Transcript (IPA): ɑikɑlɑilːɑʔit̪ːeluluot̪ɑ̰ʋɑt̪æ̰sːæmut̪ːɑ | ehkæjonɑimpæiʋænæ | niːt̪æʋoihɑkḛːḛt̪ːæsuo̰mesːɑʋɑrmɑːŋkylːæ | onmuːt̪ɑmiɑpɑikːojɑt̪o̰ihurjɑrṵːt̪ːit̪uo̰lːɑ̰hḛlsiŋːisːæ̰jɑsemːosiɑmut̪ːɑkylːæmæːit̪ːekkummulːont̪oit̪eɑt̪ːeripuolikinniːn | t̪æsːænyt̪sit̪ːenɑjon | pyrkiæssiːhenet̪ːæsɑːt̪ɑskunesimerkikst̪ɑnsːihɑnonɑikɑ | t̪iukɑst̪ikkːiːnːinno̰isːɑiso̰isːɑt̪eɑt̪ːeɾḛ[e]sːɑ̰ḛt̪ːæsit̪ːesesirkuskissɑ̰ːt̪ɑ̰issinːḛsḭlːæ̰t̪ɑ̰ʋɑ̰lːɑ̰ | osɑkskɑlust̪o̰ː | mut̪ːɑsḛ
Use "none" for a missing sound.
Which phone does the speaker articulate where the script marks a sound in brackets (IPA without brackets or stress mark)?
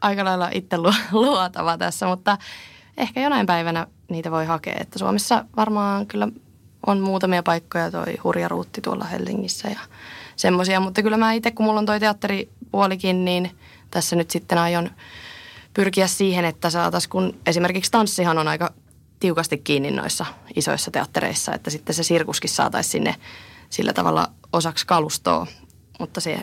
i